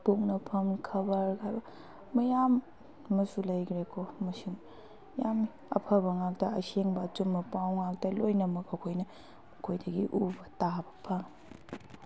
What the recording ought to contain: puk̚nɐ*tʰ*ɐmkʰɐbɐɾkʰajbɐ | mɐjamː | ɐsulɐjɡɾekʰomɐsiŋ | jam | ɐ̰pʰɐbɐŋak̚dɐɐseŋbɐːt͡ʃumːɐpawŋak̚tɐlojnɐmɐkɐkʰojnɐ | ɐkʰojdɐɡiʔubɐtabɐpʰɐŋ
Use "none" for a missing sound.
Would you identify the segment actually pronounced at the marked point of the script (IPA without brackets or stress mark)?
pʰ